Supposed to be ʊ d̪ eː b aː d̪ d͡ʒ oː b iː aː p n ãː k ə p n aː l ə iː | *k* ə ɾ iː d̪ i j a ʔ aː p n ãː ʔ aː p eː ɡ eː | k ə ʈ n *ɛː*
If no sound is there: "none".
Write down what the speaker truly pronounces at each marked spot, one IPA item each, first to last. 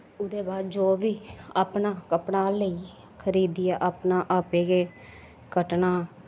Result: kʰ, aː

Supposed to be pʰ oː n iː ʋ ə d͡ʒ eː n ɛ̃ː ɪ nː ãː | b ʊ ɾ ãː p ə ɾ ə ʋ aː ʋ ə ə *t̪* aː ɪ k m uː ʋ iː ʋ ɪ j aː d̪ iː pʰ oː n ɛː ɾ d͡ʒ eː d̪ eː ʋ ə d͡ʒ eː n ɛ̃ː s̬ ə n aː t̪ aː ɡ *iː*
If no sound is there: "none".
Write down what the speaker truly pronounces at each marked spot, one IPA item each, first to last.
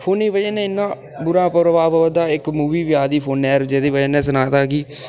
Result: d̪, iː

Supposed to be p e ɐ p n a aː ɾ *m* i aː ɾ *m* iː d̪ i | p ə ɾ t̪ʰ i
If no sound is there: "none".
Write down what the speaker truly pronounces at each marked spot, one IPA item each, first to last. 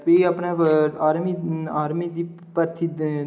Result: m, m

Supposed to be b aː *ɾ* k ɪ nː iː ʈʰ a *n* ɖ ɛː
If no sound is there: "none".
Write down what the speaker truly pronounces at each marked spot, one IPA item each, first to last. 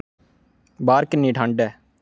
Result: ɾ, ɳ

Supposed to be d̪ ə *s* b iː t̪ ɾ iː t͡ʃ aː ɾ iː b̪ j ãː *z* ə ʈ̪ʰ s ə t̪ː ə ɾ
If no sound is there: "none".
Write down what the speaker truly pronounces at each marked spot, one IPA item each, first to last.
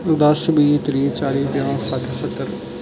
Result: s, s

